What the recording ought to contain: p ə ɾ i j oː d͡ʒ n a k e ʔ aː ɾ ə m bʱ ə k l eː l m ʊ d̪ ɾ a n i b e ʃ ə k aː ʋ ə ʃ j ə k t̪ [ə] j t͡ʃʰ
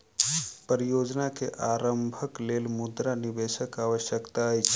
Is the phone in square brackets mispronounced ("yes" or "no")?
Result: yes